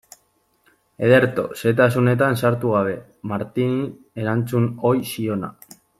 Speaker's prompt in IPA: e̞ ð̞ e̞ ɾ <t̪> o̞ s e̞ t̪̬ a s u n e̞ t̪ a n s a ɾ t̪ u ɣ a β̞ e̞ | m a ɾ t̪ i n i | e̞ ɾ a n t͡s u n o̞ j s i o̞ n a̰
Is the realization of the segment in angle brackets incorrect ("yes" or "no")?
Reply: no